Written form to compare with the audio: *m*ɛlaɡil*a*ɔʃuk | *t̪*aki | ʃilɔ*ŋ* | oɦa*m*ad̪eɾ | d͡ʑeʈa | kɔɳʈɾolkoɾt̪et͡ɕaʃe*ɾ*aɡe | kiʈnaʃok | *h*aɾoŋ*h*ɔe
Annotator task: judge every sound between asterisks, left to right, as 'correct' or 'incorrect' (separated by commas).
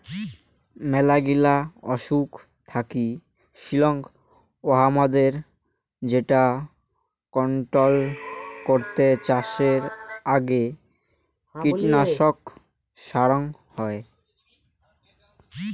correct, correct, incorrect, correct, correct, correct, incorrect, correct